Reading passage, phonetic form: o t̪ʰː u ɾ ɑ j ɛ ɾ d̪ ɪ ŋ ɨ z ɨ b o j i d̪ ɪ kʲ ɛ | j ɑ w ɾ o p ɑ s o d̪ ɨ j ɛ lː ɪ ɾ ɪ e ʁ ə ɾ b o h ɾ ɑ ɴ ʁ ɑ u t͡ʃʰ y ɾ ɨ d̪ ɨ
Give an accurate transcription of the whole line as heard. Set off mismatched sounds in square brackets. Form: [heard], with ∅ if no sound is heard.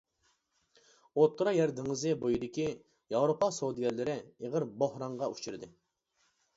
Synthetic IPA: o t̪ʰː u ɾ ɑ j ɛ ɾ d̪ ɪ ŋ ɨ z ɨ b o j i d̪ ɪ kʲ [i] | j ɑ w ɾ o p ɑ s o d̪ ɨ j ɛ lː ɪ ɾ ɪ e ʁ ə ɾ b o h ɾ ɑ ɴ ʁ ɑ u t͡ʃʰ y ɾ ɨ d̪ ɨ